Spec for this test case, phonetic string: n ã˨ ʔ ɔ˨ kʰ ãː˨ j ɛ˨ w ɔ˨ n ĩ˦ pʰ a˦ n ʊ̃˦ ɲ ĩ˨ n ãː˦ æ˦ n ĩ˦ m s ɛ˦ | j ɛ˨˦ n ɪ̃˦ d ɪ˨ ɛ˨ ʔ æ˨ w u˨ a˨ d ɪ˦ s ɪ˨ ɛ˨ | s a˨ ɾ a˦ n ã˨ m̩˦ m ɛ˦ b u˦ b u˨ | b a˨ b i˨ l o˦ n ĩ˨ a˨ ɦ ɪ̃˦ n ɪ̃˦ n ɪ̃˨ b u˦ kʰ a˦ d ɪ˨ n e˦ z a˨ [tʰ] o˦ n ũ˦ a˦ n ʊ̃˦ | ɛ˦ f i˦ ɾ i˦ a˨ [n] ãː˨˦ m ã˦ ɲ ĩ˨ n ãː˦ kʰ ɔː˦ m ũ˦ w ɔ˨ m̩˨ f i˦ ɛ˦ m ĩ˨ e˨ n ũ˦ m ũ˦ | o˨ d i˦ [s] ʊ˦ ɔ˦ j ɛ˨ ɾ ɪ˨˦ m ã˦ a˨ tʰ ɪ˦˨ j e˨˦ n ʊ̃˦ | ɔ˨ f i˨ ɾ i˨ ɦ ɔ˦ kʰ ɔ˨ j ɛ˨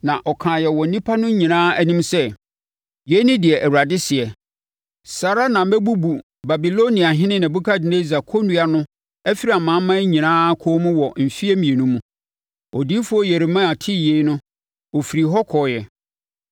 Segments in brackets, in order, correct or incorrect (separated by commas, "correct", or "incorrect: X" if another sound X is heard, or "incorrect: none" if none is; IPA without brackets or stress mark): incorrect: kʰ, incorrect: m, incorrect: f